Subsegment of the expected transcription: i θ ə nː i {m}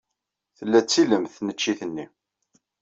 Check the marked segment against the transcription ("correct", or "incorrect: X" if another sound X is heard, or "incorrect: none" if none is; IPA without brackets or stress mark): incorrect: none